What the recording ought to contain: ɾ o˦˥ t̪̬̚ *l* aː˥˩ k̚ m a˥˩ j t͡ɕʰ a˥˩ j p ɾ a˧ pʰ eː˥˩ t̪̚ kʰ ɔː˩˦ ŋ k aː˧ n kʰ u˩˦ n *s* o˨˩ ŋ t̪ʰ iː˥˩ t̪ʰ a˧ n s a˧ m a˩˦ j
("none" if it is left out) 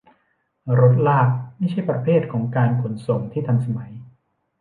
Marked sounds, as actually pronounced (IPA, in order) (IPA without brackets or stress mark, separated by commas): l, s